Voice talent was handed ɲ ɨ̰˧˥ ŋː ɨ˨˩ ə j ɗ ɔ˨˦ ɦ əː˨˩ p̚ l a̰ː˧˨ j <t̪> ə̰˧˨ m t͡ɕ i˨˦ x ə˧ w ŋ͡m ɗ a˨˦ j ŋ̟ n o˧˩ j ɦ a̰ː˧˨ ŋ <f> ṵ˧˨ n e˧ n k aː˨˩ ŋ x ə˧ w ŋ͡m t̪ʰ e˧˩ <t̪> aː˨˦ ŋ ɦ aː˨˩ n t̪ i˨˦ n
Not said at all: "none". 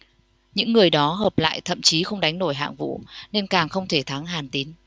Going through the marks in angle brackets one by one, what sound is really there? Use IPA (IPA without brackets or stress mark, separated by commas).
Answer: t̪ʰ, v, t̪ʰ